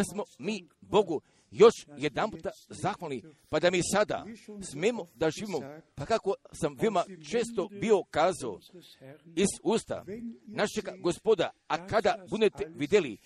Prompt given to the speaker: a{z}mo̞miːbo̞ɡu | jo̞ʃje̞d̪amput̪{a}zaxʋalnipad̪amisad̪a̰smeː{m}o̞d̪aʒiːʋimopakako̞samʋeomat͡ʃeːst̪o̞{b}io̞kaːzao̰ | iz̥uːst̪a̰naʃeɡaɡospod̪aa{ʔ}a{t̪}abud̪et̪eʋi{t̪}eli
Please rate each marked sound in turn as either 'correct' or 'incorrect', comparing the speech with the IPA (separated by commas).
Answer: incorrect, correct, correct, correct, incorrect, incorrect, incorrect